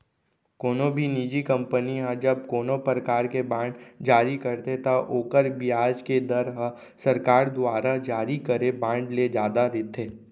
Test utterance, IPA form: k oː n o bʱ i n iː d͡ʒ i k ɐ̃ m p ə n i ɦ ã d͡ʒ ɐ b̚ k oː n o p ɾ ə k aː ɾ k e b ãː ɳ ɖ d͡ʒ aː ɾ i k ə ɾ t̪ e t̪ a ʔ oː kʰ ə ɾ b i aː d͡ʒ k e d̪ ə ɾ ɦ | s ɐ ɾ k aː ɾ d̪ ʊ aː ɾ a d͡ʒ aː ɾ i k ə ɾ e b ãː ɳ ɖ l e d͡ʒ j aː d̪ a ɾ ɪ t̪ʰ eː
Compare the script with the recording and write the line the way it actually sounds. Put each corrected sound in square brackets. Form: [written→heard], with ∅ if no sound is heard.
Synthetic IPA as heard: k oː n o bʱ i n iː d͡ʒ i k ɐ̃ m p ə n i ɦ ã d͡ʒ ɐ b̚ k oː n o p ɾ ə k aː ɾ k e b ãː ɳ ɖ d͡ʒ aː ɾ i k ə ɾ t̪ e t̪ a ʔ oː [kʰ→k] ə ɾ b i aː d͡ʒ k e d̪ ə ɾ ɦ | s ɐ ɾ k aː ɾ d̪ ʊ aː ɾ a d͡ʒ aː ɾ i k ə ɾ e b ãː ɳ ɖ l e d͡ʒ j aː d̪ a ɾ ɪ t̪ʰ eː